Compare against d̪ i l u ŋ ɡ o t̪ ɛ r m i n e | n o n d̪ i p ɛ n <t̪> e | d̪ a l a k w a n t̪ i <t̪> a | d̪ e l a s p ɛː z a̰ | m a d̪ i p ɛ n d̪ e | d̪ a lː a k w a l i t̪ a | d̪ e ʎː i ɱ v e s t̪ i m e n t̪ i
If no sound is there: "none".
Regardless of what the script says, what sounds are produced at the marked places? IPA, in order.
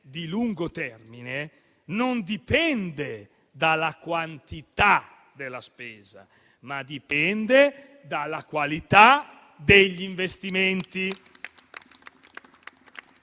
d̪, t̪

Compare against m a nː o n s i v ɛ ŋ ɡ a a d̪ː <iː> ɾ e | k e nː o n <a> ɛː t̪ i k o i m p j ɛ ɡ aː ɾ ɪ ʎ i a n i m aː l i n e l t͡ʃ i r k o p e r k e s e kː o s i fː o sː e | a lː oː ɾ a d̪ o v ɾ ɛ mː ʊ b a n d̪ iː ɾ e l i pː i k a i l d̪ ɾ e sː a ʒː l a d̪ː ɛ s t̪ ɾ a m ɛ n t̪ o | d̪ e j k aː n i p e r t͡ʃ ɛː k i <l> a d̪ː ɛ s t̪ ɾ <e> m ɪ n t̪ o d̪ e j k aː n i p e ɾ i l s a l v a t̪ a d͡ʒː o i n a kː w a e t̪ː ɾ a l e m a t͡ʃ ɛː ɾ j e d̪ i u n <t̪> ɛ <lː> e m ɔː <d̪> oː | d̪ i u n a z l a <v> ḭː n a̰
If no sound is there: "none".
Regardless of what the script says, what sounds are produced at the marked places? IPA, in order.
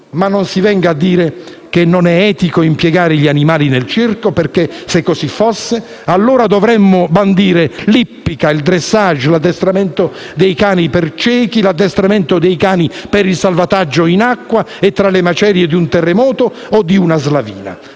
iː, ɛ, l, a, t̪, rː, t̪, v

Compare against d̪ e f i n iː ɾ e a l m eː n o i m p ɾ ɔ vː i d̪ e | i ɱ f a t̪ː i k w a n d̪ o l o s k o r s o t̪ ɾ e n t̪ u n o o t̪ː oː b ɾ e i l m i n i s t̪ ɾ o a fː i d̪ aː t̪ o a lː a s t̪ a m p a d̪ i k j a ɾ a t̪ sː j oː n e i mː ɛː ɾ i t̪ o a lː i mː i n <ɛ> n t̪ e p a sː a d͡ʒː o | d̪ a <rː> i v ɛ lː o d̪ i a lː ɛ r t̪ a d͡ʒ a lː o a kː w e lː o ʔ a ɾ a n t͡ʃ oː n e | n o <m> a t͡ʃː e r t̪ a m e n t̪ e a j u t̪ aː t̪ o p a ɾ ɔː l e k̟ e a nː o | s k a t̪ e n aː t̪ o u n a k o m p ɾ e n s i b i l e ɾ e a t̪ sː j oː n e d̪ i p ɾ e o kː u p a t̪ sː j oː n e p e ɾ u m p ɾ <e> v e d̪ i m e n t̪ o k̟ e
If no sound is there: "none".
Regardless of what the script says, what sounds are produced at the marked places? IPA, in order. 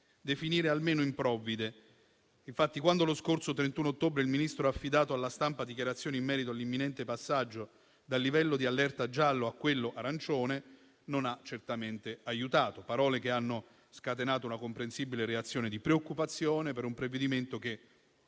ɛ, lː, n, e

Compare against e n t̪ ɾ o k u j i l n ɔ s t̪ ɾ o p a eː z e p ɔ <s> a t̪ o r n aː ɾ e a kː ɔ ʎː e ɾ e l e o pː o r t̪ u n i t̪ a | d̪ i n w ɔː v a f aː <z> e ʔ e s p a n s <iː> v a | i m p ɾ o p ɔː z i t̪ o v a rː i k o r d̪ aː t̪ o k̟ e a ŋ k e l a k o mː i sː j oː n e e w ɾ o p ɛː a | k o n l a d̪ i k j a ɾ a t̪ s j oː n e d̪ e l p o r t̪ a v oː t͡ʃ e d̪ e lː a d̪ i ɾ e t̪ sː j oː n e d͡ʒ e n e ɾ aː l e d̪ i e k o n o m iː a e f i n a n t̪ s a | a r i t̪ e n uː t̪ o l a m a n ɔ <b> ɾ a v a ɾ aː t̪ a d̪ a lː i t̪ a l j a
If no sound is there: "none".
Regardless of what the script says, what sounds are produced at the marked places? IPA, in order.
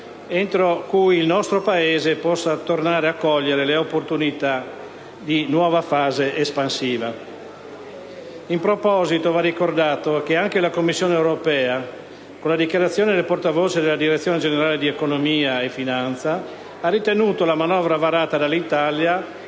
sː, z, iː, v

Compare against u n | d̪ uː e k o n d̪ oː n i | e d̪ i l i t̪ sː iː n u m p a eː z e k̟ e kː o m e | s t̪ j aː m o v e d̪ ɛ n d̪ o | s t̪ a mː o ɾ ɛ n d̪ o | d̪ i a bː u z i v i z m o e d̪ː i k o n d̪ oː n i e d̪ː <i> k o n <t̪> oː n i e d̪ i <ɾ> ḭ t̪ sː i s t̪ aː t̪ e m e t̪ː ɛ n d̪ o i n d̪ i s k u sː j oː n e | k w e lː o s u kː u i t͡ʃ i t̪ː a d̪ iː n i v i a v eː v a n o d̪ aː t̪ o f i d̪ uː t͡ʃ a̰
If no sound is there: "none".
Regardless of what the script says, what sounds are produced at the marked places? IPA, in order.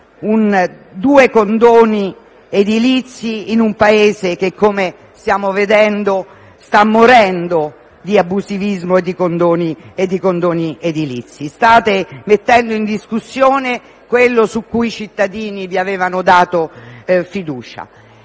i, d̪, l

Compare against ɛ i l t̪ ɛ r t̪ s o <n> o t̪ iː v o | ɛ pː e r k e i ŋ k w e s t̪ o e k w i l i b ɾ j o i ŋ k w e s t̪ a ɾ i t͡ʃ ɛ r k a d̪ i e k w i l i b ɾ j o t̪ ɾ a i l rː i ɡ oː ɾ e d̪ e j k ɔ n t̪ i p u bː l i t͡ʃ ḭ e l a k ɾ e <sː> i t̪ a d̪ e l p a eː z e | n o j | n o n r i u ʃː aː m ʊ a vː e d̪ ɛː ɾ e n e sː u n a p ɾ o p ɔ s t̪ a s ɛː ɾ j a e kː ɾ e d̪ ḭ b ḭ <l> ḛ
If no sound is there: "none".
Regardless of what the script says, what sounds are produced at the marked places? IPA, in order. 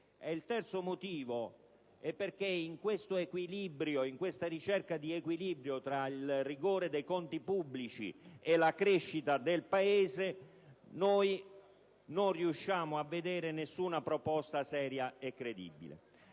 m, ʃː, l

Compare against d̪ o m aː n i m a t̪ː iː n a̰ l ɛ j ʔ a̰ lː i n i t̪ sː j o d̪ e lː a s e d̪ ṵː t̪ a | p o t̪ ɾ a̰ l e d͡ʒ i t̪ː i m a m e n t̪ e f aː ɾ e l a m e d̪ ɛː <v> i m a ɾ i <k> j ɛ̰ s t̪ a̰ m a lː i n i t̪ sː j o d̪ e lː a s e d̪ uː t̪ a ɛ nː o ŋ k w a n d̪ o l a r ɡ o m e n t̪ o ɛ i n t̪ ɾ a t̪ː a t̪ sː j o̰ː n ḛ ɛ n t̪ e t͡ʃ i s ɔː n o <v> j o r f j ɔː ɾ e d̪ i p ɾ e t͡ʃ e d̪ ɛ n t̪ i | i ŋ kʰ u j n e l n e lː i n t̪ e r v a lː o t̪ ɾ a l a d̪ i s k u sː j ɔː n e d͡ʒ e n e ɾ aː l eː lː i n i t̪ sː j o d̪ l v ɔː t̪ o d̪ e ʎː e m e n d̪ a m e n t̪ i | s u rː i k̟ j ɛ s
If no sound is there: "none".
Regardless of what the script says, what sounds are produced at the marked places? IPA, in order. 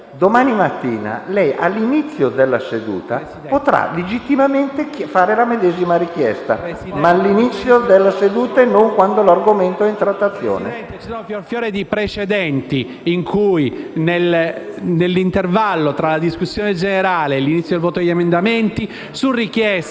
z, k, f

